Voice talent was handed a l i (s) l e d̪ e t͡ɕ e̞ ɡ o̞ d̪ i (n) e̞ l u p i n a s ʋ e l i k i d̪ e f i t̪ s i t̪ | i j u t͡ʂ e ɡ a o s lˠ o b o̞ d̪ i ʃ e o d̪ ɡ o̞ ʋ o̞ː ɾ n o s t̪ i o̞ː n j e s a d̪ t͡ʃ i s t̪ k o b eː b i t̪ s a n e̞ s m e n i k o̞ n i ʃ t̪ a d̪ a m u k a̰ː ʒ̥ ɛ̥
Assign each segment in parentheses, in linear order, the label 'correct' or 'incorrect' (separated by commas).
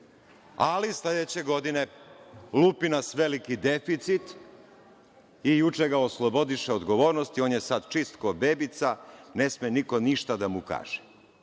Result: correct, correct